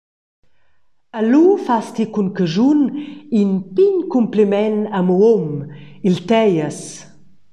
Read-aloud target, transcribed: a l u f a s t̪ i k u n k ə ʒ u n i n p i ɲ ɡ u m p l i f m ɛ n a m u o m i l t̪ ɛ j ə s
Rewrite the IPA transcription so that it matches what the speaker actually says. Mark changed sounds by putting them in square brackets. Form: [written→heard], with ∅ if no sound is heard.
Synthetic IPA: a l u f a s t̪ i k u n k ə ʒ u n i n p i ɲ [ɡ→k] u m p l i [f→∅] m ɛ n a m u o m i l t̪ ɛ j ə s